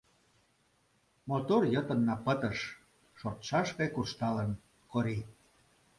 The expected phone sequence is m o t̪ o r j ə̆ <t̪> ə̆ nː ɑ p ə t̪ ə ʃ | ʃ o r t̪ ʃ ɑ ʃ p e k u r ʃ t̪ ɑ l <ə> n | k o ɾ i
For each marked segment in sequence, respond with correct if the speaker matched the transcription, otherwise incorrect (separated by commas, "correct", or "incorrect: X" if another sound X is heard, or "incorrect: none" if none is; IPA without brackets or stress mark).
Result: correct, correct